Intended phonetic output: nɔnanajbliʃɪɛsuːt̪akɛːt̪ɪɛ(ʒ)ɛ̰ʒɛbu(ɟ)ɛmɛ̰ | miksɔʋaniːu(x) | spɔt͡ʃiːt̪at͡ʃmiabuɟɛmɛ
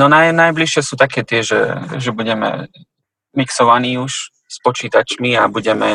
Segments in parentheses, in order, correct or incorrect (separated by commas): correct, correct, incorrect